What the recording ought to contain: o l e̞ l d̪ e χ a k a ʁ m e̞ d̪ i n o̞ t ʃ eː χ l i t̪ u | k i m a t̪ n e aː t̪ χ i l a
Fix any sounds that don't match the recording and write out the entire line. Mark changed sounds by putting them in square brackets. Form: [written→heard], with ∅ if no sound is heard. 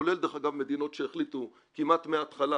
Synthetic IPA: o l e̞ l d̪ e χ a [k→ɡ] a [ʁ→v] m e̞ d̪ i n o̞ t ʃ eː χ l i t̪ u | k i m a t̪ [n→m] e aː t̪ χ [i→a] l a